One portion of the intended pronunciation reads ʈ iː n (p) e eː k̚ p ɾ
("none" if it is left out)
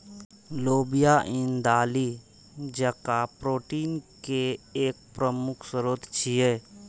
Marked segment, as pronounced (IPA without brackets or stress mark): k